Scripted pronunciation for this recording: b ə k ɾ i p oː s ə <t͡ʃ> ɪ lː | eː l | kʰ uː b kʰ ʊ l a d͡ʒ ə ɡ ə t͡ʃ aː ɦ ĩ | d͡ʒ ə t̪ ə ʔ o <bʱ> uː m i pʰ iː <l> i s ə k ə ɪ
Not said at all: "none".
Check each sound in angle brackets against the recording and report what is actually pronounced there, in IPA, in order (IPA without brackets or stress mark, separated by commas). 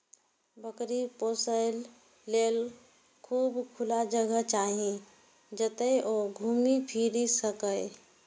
none, ɡʱ, ɾ